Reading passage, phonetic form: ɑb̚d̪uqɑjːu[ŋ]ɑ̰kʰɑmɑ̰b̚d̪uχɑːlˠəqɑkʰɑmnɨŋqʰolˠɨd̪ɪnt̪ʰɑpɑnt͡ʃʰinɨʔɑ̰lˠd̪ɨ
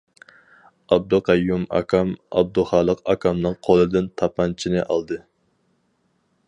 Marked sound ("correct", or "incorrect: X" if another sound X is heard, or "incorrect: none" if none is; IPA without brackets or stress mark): incorrect: m